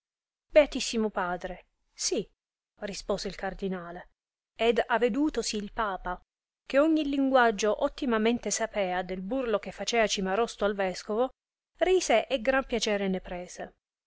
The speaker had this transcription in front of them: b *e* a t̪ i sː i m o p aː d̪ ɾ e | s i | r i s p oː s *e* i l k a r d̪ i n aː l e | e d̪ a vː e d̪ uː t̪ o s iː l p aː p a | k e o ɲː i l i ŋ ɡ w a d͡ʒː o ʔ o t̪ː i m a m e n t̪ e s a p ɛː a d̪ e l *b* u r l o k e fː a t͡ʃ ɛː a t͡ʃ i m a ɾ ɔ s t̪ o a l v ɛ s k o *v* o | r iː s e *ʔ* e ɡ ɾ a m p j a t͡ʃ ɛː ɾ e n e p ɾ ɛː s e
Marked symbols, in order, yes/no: yes, yes, yes, yes, yes

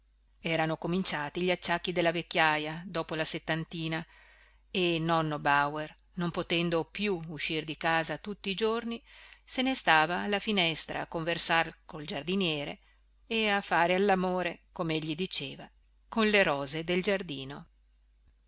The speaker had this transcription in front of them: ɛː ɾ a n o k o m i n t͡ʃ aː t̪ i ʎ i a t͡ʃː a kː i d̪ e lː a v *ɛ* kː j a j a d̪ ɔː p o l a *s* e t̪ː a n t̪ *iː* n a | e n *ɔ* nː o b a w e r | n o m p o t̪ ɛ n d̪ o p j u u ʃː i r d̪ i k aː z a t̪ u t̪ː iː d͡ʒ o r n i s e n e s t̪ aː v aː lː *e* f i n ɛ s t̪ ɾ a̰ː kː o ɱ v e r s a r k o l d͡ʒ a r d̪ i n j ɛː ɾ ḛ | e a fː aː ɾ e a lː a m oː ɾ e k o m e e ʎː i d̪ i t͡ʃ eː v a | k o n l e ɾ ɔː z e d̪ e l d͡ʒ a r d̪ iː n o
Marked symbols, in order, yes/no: no, yes, yes, yes, no

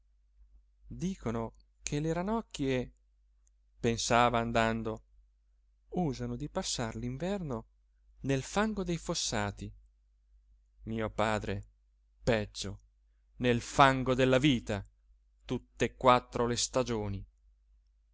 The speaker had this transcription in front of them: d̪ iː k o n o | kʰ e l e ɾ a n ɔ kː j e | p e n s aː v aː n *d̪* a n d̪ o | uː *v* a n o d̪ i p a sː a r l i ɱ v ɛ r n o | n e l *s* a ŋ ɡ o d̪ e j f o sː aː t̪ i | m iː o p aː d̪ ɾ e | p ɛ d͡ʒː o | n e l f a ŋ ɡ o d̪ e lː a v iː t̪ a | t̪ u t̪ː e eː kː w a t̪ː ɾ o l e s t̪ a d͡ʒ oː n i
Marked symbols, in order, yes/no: yes, no, no

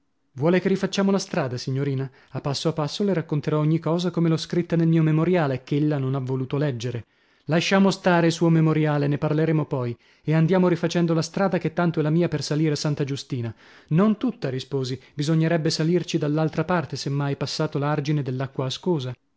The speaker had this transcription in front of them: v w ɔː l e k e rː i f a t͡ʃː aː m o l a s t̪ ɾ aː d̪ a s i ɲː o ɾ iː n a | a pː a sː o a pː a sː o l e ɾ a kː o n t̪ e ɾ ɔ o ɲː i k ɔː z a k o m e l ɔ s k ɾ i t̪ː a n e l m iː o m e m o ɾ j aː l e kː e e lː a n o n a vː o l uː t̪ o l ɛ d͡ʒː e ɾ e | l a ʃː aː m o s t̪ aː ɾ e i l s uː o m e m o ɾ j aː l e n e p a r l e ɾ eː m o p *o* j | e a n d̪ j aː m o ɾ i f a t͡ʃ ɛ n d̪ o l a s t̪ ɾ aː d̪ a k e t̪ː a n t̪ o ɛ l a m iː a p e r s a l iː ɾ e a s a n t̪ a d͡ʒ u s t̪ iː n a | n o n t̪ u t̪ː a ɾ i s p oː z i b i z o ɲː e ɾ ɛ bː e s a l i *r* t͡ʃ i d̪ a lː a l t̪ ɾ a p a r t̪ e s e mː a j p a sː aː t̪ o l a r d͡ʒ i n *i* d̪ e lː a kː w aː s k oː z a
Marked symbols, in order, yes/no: no, yes, no

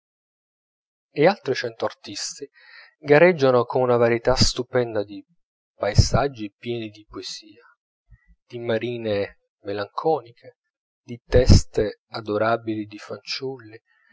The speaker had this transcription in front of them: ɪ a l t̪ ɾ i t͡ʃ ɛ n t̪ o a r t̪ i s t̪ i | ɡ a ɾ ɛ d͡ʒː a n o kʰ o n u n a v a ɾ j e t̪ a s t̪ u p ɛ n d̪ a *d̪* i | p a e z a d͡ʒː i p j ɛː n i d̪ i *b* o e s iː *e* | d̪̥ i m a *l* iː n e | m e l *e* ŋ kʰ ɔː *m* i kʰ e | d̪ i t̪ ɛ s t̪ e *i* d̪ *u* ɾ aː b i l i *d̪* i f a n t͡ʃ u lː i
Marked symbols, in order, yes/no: yes, no, no, no, no, no, no, no, yes

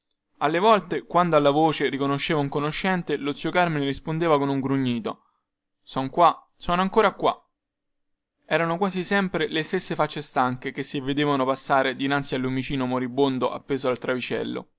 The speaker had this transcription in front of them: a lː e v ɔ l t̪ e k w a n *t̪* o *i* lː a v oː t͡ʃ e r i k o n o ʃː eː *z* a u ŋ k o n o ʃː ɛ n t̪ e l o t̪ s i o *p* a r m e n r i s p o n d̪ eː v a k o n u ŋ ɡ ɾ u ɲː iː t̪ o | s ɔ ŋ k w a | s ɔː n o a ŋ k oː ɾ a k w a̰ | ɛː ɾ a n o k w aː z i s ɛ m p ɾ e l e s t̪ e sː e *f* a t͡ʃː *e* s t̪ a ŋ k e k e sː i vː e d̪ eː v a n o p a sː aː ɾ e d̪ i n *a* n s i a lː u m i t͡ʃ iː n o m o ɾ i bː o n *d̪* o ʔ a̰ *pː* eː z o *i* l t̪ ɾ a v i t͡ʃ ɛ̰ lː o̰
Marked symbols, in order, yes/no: no, no, no, no, yes, yes, yes, yes, yes, no

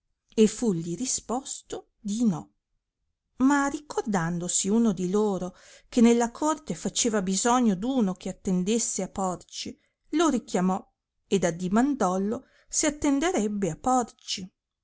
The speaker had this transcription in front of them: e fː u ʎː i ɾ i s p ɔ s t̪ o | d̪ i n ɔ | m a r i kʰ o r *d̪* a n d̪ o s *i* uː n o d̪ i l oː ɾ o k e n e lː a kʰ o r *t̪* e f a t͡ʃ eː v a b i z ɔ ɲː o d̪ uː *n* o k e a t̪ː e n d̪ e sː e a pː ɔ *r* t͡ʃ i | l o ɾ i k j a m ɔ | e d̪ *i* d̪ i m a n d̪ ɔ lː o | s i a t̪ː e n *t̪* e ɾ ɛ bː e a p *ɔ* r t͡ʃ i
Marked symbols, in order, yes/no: yes, yes, yes, yes, yes, no, no, yes

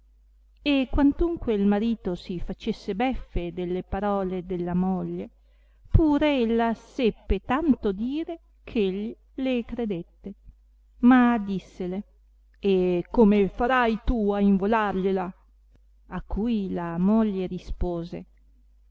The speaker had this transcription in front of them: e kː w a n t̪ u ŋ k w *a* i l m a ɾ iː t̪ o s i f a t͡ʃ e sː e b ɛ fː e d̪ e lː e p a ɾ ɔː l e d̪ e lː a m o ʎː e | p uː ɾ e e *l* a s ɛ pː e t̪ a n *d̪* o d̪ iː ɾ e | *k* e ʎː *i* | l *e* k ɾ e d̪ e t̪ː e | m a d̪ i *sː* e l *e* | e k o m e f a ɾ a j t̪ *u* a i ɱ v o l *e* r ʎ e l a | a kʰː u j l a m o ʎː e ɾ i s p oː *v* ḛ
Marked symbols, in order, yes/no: no, no, no, no, yes, yes, yes, yes, yes, no, no

